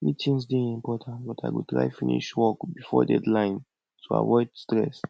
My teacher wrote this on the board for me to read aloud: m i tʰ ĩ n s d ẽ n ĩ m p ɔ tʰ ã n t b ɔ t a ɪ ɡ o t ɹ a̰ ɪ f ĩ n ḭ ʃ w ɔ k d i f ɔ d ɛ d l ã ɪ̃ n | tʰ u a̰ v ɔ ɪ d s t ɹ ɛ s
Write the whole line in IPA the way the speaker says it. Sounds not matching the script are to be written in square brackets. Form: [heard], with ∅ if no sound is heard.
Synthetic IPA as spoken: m i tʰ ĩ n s d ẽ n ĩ m p ɔ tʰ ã n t b ɔ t a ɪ ɡ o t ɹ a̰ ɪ f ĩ n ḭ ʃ w ɔ k [b] i f ɔ d ɛ d l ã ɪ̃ n | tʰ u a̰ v ɔ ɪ d s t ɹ ɛ s

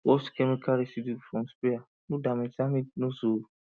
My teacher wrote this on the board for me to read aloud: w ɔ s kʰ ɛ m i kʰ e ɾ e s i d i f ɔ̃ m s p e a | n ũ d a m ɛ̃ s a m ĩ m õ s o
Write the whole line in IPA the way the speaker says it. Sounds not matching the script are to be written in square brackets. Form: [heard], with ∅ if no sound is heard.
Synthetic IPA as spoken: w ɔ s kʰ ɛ m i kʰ [a] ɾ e s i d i f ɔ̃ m s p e a | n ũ d a m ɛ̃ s a m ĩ [n] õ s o

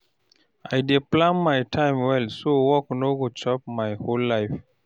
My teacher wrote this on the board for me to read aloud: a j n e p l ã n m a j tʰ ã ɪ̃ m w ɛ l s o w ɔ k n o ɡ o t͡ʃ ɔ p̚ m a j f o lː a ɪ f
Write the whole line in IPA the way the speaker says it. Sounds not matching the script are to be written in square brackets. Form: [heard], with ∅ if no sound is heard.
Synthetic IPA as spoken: a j [d] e p l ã n m a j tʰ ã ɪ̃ m w ɛ l s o w ɔ k n o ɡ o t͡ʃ ɔ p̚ m a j [h] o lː a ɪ f

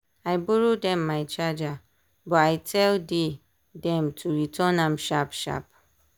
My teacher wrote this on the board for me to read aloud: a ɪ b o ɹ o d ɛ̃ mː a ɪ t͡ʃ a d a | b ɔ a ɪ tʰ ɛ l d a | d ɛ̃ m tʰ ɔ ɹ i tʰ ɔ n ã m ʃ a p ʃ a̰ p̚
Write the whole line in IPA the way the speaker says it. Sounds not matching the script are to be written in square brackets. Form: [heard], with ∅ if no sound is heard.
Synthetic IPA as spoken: a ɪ b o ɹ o d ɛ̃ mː a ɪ t͡ʃ a [d͡ʒ] a | b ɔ a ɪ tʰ ɛ l d [e] | d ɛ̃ m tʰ [u] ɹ i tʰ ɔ n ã m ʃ a p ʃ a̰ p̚

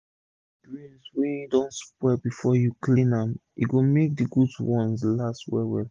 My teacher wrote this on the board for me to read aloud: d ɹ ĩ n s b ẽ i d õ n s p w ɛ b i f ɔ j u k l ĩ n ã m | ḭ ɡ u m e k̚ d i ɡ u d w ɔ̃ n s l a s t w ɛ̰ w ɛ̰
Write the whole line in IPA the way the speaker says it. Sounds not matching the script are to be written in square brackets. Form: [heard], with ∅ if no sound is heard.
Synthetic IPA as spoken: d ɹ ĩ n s [w] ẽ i d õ n s p w ɛ b i f ɔ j u k l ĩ n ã m | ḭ ɡ [o] m e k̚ d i ɡ u d w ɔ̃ n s l a s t w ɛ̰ w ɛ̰

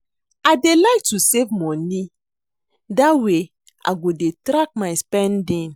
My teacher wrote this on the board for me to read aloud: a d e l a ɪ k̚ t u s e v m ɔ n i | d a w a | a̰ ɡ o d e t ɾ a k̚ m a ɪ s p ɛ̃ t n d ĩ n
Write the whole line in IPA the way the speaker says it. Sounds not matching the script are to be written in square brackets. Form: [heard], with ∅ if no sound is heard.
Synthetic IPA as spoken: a d e l a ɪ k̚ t u s e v m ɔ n i | d a w [e] | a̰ ɡ o d e t ɾ a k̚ m a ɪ s p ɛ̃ [∅] n d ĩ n

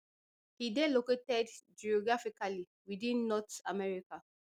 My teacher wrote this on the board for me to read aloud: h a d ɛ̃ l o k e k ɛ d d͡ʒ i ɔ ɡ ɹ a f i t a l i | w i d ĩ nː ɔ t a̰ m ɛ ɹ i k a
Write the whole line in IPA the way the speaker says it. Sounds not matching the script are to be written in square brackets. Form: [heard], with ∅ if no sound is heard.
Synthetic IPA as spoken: h [i] d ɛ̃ l o k e [t] ɛ d d͡ʒ i ɔ ɡ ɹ a f i [k] a l i | w i d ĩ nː ɔ t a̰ m ɛ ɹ i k a

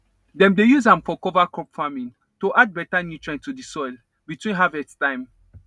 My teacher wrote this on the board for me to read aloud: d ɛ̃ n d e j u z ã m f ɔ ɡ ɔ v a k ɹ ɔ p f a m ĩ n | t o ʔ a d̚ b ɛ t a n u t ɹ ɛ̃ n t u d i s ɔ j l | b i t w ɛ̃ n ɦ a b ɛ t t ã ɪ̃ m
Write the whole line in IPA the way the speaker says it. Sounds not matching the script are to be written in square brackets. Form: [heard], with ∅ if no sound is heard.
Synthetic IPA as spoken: d ɛ̃ [m] d e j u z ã m f ɔ [k] ɔ v a k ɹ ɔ p f a m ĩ n | t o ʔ a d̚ b ɛ t a n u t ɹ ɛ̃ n t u d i s ɔ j l | b i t w [ĩ] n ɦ a [v] ɛ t t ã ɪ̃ m

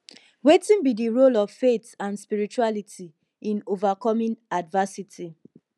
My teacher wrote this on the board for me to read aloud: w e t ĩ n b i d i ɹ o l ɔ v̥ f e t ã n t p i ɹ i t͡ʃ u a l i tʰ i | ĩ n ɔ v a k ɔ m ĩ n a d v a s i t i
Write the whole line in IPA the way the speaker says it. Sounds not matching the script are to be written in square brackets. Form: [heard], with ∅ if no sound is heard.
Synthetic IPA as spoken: w e t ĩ n b i d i ɹ o l ɔ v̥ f e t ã n [s] p i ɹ i t͡ʃ u a l i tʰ i | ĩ n [o] v a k ɔ m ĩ n a d v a s i t i

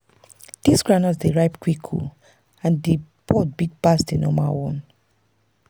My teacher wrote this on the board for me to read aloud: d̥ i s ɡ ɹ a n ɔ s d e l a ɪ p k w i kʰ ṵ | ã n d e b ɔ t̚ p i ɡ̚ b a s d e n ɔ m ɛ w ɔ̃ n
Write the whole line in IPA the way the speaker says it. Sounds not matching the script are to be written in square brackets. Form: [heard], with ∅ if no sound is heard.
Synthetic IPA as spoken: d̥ i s ɡ ɹ a n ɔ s d e [ɹ] a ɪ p k w i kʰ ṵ | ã n d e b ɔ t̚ [b] i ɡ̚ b a s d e n ɔ m [a] w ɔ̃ n

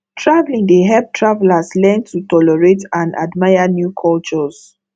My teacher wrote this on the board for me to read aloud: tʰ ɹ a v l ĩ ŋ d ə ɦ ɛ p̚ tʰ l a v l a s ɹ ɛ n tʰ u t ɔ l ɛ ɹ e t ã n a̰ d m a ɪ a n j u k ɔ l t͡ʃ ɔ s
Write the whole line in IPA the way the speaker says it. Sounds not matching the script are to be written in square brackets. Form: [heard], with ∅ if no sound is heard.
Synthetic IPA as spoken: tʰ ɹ a v l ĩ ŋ d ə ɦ ɛ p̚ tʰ [ɹ] a v l a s [l] ɛ n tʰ u t ɔ l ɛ ɹ e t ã n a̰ d m a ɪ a n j u [kʰ] ɔ l t͡ʃ ɔ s

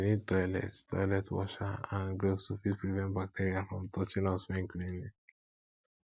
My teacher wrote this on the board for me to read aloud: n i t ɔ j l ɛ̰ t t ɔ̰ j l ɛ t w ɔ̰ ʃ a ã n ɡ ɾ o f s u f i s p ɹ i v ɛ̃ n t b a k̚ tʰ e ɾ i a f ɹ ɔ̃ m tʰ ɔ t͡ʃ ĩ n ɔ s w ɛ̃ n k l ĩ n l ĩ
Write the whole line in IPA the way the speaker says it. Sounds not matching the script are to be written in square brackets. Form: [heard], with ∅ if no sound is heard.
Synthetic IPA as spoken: n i t ɔ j l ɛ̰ t t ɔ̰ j l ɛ t w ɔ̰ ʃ a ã n ɡ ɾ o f s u f i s p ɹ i v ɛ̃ n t b a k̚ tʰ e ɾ i a f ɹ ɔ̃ m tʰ ɔ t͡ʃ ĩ n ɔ s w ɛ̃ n k l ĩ n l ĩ

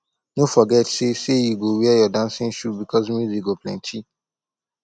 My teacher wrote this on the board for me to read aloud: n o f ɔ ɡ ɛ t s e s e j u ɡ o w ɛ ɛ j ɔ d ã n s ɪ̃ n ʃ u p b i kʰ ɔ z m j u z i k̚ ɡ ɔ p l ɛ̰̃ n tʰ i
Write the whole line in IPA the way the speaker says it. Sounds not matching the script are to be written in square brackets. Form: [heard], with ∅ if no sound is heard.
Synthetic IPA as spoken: n o f ɔ ɡ ɛ t s e s e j u ɡ o w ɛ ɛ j ɔ d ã n s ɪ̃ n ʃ u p b i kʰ ɔ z m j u z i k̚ ɡ [o] p l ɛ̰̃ n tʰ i

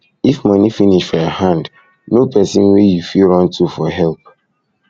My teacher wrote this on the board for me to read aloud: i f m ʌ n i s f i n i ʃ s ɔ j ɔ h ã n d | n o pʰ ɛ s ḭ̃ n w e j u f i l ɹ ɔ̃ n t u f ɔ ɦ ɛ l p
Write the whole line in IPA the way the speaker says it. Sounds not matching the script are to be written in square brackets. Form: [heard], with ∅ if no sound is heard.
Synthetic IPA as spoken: i f m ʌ n i [∅] f i n i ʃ [f] ɔ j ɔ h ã n d | n o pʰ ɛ s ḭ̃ n w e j u f i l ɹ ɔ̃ n t u f ɔ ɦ ɛ l p

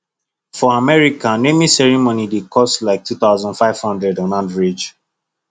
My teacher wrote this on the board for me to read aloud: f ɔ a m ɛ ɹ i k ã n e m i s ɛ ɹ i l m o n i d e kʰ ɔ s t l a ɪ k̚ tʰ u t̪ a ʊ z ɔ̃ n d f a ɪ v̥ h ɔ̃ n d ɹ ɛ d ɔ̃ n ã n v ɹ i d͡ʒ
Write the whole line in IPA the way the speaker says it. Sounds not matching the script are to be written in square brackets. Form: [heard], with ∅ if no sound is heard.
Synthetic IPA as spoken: f ɔ a m ɛ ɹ i k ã n e m i s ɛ ɹ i [∅] m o n i d e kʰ ɔ s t l a ɪ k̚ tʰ u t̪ a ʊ z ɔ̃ n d f a ɪ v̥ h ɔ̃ n d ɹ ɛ d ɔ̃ n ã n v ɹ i d͡ʒ

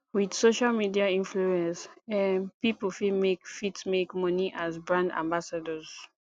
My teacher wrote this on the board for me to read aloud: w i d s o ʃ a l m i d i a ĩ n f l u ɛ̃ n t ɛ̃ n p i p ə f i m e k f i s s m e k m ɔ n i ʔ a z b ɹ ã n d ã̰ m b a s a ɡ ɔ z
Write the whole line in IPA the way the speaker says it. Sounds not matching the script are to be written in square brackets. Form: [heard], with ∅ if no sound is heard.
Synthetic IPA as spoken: w i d s o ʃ a l m i d i a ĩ n f l u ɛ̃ n [s] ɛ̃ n p i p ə f i m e k f i [t] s m e k m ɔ n i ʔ a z b ɹ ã n d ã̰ m b a s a [d] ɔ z

